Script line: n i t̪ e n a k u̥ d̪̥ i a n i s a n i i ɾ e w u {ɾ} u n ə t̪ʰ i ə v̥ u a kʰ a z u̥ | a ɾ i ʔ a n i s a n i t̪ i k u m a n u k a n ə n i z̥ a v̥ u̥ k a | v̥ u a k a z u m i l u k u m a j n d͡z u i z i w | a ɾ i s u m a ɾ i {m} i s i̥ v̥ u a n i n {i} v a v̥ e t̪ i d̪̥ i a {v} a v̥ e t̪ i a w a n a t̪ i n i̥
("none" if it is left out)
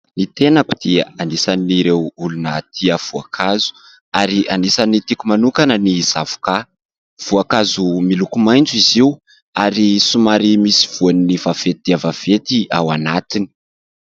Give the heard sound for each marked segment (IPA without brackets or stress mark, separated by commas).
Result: l, m, i, v